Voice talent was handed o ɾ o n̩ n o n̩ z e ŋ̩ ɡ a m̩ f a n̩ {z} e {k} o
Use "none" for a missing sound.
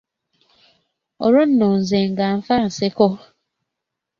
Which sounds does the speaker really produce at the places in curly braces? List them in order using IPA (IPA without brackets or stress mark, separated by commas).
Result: s, k